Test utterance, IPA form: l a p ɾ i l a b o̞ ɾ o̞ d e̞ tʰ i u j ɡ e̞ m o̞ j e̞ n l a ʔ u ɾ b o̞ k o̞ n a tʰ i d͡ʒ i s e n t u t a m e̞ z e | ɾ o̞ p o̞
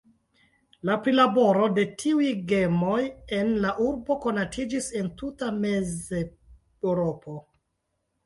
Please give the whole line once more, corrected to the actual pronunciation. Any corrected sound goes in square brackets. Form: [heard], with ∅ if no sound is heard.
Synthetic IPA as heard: l a p ɾ i l a b o̞ ɾ o̞ d e̞ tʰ i u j ɡ e̞ m o̞ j e̞ n l a ʔ u ɾ b o̞ k o̞ n a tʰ i d͡ʒ i s e n t u t a m e̞ z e | ɾ o̞ p o̞